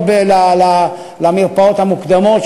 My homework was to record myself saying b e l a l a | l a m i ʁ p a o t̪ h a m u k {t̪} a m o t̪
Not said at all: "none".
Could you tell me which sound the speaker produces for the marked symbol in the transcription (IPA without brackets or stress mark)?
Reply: d̪